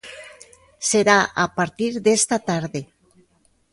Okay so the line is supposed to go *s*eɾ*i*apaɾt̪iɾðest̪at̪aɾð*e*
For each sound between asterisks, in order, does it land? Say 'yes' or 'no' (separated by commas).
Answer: yes, no, yes